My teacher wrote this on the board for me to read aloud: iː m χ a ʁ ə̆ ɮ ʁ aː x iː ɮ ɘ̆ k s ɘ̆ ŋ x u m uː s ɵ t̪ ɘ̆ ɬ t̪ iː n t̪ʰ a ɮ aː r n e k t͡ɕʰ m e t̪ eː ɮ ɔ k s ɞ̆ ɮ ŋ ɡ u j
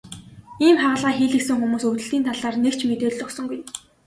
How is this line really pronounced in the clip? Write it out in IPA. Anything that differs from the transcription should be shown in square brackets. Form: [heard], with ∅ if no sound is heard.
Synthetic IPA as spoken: iː m χ a ʁ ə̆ ɮ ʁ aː x iː ɮ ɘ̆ k s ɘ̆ ŋ x u m uː s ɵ t̪ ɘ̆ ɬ t̪ iː n t̪ʰ a ɮ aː r n e k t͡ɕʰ m e t̪ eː ɮ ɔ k s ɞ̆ [∅] ŋ ɡ u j